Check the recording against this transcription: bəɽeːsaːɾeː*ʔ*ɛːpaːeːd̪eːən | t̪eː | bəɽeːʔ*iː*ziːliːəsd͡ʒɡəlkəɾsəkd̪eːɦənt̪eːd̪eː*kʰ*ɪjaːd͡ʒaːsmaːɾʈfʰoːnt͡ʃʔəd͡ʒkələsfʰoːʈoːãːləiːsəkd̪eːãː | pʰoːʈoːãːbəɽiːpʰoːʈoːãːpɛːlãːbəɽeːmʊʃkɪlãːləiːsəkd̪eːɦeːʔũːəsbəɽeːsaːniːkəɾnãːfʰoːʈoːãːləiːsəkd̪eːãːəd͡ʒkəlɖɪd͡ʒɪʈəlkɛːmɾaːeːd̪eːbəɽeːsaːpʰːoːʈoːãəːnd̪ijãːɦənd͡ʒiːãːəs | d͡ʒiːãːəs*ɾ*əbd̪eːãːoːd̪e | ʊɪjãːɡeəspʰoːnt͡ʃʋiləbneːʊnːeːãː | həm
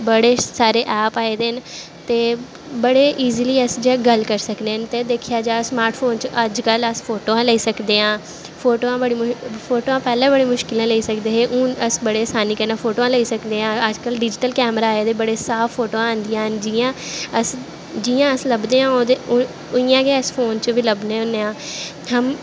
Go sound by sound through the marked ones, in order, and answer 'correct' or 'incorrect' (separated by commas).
correct, correct, correct, incorrect